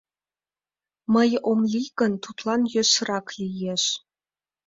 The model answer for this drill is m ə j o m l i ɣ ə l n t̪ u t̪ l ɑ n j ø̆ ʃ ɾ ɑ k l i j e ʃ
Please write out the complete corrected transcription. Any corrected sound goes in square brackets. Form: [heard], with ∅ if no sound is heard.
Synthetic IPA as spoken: m ə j o m l i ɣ ə [∅] n t̪ u t̪ l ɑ n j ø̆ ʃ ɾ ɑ k l i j e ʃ